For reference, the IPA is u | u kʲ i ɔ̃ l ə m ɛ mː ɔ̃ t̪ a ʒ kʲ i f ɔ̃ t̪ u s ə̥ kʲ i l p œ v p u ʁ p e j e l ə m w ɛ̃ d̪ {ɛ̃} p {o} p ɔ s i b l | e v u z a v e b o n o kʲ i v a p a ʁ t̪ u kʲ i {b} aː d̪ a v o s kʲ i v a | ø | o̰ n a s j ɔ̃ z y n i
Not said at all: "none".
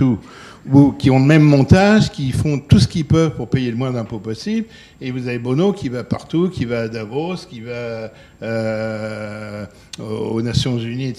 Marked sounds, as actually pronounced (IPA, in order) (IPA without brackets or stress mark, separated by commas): ɛ̃, o, v